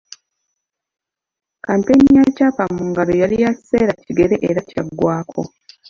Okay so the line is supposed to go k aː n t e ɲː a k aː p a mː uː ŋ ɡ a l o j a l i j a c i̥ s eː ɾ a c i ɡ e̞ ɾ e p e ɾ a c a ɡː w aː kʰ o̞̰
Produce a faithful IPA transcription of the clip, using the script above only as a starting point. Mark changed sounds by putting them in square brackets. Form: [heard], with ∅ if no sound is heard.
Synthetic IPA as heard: k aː n t e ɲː a [c] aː p a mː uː ŋ ɡ a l o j a l i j a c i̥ s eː ɾ a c i ɡ e̞ ɾ e [ʔ] e ɾ a c a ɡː w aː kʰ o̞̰